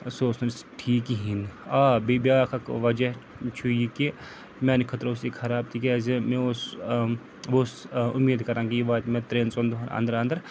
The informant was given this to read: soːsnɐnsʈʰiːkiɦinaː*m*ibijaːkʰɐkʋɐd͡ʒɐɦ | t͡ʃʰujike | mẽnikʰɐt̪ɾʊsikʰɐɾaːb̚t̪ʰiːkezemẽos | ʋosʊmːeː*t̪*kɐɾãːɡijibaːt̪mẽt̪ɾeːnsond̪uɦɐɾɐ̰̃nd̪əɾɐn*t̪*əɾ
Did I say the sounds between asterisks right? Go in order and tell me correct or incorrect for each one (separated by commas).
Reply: incorrect, incorrect, incorrect